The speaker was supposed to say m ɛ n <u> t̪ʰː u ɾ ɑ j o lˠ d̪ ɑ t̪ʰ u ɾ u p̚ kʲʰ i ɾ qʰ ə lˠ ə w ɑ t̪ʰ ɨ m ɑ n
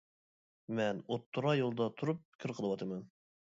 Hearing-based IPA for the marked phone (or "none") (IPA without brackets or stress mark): o